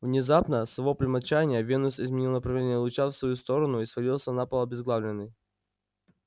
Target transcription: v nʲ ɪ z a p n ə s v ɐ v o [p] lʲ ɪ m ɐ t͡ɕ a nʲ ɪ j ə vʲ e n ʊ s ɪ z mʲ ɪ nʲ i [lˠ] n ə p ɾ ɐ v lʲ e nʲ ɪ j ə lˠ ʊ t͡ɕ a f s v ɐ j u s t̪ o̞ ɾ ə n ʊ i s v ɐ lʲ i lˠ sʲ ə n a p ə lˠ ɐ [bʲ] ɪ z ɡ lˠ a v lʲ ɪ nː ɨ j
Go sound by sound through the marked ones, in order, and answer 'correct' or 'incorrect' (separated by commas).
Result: correct, correct, correct